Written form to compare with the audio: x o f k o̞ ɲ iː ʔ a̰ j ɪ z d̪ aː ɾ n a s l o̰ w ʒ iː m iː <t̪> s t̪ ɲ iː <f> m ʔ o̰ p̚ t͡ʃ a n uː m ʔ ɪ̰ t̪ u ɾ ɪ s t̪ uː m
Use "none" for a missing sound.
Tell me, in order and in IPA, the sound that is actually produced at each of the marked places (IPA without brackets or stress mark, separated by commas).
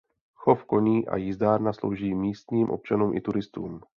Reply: none, none